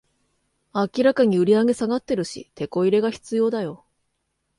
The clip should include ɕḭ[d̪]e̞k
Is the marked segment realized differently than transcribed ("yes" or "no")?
yes